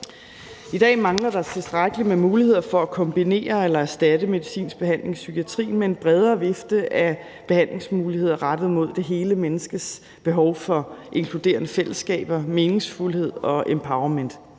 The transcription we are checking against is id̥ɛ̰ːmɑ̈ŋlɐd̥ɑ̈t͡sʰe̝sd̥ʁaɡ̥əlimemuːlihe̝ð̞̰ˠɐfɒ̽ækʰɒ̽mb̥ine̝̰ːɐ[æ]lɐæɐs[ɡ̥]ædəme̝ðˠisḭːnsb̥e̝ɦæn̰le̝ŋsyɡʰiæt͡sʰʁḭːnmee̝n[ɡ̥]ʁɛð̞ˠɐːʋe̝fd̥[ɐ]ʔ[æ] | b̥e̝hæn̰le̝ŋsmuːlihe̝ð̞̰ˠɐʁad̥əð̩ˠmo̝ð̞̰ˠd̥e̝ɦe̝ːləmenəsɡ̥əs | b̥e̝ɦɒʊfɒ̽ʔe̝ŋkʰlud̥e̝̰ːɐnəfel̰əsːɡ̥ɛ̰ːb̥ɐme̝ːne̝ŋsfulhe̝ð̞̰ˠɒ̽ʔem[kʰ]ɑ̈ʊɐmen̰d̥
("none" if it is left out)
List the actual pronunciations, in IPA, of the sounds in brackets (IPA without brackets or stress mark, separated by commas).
e, d̥, b̥, ə, æ, pʰ